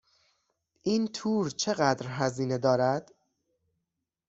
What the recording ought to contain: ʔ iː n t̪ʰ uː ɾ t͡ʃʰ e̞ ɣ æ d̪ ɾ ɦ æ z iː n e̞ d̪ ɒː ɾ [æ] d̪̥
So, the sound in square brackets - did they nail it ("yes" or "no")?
yes